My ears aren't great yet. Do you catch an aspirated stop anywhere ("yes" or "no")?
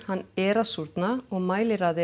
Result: no